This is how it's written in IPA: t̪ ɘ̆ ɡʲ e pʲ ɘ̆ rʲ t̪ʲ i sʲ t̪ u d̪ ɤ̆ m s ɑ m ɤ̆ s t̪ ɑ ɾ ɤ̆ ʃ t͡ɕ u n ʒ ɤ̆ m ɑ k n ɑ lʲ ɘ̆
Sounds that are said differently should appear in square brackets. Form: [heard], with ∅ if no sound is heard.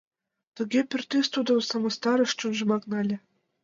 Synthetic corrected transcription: t̪ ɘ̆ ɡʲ e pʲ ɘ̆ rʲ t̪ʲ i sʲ t̪ u d̪ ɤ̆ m s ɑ m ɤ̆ s t̪ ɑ ɾ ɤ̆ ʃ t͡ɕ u n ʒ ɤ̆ m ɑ k n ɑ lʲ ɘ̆